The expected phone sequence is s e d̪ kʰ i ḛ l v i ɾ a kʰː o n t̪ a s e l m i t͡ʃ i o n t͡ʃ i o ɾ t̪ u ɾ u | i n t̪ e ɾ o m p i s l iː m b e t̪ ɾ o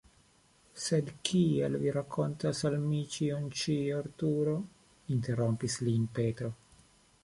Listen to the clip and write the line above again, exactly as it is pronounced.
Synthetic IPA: s e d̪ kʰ i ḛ l v i ɾ a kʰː o n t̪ a s a l m i t͡ʃ i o n t͡ʃ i o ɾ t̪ u ɾ o | i n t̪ e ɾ o m p i s l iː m p e t̪ ɾ o